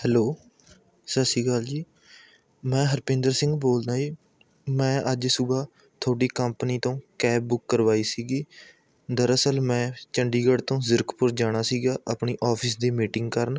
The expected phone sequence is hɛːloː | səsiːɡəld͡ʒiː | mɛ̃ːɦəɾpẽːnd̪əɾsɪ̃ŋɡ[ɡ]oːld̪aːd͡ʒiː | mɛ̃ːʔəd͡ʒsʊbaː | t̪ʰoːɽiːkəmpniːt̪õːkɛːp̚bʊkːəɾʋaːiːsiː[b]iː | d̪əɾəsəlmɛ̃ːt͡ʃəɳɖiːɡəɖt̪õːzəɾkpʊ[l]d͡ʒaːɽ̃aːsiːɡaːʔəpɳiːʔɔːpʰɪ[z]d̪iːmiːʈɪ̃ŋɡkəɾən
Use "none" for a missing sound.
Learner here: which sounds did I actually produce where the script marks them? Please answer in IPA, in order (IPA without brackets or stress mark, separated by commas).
b, ɡ, ɾ, s